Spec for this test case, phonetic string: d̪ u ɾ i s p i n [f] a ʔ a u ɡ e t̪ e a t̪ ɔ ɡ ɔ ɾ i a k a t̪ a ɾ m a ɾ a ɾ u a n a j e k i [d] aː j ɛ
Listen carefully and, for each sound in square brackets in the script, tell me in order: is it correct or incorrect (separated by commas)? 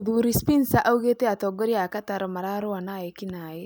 incorrect, incorrect